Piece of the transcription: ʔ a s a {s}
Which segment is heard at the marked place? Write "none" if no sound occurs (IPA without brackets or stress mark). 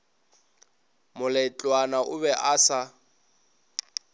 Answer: none